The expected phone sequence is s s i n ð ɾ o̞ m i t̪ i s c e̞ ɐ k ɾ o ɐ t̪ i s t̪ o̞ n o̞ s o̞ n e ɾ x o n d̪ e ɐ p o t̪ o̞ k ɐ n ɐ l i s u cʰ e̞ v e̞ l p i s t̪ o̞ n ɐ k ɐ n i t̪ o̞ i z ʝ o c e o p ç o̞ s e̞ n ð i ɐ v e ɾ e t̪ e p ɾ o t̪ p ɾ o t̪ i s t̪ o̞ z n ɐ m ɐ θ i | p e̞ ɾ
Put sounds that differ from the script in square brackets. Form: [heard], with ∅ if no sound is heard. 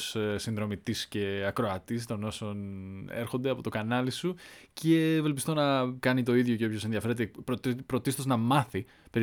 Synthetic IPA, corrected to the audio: s s i n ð ɾ o̞ m i t̪ i s c e̞ ɐ k ɾ o ɐ t̪ i s t̪ o̞ n o̞ s o̞ n e ɾ x o n d̪ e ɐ p o t̪ o̞ k ɐ n ɐ l i s u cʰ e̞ v e̞ l p i s t̪ o̞ n ɐ k ɐ n i t̪ o̞ i [ð] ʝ o c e o p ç o̞ s e̞ n ð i ɐ [f] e ɾ e t̪ e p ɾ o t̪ p ɾ o t̪ i s t̪ o̞ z n ɐ m ɐ θ i | p e̞ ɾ